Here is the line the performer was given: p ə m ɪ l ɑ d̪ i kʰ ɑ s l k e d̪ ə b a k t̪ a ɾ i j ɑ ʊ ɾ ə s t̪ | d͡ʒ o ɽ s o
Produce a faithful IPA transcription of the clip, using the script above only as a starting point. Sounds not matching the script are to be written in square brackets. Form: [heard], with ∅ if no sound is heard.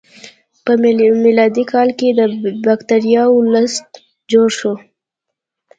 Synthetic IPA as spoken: p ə m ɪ l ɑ d̪ i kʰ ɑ [∅] l k e d̪ ə b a k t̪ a ɾ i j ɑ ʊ [l] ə s t̪ | d͡ʒ o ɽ [ʃ] o